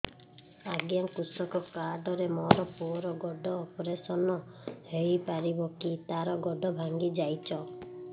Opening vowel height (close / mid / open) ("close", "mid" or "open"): open